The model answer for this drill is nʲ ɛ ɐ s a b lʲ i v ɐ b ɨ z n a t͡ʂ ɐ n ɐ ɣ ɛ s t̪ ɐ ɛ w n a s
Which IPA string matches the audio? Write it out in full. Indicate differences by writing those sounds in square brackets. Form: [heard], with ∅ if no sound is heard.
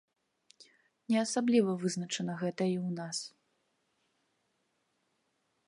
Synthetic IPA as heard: nʲ ɛ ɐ s a b lʲ i v ɐ [v] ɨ z n [ɐ] t͡ʂ ɐ n ɐ ɣ ɛ [∅] t̪ ɐ [i] w n a s